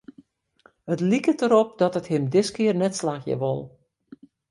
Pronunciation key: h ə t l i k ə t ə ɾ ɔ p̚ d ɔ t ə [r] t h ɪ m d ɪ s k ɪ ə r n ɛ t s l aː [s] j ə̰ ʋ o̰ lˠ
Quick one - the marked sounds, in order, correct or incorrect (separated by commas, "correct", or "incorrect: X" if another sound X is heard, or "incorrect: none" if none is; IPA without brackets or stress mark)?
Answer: incorrect: none, incorrect: x